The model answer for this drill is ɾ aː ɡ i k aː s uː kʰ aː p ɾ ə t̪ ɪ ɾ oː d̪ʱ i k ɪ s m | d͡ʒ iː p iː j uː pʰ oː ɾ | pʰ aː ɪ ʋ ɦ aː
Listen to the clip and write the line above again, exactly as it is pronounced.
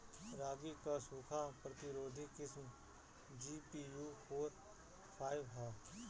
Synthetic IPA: ɾ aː ɡ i k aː s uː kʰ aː p ɾ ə t̪ ɪ ɾ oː d̪ʱ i k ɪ s m | d͡ʒ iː p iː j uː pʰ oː ɾ | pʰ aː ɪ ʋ ɦ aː